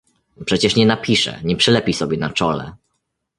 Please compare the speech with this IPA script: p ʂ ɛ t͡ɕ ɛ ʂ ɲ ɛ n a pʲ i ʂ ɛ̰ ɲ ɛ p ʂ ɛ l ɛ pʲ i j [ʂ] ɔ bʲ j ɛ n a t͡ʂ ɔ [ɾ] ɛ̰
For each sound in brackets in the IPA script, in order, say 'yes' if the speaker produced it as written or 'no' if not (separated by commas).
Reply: no, no